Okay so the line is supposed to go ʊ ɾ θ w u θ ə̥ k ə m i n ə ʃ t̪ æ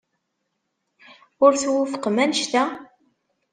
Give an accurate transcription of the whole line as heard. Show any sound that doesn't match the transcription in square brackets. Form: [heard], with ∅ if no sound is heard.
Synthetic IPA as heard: ʊ ɾ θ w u [f] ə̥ [q] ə m [æ] n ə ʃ t̪ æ